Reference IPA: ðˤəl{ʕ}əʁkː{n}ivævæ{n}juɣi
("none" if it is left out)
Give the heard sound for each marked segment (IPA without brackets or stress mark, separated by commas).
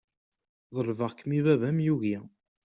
v, m, m